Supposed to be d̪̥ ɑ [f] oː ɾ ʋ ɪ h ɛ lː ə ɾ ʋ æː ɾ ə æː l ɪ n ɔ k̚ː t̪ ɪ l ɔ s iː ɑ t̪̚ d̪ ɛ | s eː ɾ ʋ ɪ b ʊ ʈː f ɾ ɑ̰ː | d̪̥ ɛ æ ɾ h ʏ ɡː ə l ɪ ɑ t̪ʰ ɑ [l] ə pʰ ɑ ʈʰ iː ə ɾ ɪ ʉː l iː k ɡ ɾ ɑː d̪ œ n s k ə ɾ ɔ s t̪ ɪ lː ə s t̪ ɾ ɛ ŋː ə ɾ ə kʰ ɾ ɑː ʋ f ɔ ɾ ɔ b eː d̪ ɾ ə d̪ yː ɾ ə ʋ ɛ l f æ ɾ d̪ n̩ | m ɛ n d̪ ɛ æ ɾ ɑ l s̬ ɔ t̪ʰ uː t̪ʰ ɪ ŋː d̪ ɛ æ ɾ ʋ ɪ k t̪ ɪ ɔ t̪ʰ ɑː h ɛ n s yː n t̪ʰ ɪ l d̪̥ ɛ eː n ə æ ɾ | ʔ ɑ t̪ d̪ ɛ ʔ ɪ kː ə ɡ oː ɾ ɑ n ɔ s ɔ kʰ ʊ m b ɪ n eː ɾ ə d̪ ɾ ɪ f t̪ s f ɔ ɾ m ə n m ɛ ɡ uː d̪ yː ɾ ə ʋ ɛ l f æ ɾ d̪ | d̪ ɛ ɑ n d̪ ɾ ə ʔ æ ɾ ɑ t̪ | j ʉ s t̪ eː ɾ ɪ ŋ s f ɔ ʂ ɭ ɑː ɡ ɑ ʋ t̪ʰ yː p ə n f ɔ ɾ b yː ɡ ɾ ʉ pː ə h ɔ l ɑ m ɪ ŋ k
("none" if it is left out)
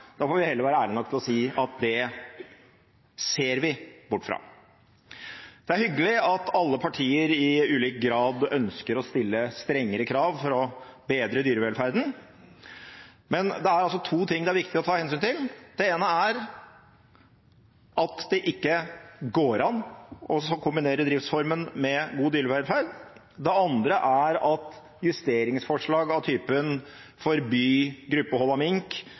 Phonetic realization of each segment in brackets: f, lː

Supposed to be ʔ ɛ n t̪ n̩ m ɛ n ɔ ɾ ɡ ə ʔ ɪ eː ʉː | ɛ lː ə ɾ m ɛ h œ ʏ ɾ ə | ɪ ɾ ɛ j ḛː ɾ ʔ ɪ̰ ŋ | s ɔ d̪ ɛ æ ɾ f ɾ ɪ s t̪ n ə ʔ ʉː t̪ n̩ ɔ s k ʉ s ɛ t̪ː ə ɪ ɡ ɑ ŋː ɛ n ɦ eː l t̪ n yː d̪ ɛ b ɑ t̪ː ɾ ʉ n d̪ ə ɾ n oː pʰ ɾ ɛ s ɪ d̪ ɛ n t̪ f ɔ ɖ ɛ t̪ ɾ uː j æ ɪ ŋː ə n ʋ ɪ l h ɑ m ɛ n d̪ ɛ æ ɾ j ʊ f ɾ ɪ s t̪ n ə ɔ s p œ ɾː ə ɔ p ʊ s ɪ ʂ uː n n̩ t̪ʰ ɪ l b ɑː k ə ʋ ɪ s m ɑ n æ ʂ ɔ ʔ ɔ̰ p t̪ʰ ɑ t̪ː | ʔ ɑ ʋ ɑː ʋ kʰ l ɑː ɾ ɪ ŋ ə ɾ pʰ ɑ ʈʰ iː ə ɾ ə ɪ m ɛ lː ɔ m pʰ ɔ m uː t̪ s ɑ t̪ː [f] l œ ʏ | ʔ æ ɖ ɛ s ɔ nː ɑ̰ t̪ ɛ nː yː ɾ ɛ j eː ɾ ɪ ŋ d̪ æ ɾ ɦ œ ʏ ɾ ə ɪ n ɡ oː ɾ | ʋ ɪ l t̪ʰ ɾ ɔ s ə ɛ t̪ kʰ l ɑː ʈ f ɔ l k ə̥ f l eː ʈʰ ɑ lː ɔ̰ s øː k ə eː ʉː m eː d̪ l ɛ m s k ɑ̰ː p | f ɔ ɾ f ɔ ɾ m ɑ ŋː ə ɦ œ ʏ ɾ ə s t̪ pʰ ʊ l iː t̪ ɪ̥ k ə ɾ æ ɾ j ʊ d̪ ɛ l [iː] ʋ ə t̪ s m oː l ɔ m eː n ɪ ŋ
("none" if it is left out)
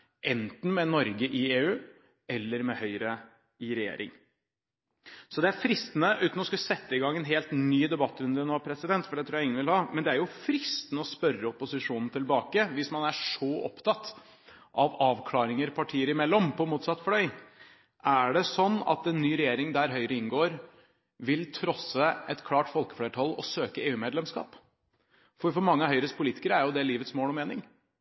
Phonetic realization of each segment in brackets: f, iː

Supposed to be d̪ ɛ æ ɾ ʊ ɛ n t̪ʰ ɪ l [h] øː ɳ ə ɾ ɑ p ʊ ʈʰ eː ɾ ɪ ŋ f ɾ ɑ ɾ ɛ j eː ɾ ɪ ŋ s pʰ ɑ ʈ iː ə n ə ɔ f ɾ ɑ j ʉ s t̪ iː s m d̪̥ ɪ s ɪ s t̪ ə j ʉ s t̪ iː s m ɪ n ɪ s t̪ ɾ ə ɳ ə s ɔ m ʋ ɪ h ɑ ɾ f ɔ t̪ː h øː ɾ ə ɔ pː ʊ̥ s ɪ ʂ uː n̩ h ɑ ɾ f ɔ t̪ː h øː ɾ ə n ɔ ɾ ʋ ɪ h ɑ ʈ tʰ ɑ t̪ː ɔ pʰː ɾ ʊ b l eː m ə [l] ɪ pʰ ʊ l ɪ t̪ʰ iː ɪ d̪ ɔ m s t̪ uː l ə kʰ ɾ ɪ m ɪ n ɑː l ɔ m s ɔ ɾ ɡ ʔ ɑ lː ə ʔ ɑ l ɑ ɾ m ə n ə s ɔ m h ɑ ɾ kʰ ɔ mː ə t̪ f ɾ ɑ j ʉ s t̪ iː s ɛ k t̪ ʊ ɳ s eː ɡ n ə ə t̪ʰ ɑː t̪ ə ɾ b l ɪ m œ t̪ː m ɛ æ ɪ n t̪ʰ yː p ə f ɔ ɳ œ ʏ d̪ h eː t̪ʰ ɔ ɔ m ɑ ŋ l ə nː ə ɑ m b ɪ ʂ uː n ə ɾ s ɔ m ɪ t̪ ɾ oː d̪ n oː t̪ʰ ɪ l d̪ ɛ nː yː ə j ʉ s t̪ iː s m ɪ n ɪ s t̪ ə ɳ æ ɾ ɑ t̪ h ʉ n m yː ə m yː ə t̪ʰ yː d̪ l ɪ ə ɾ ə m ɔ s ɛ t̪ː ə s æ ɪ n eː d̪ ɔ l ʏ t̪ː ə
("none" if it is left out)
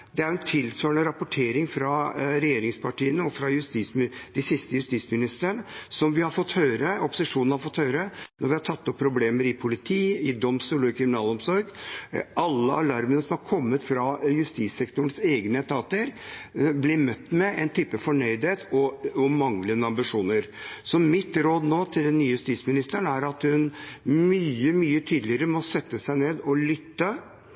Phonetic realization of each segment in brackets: s, ɾ

